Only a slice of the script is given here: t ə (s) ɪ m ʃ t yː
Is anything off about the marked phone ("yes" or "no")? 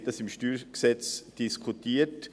no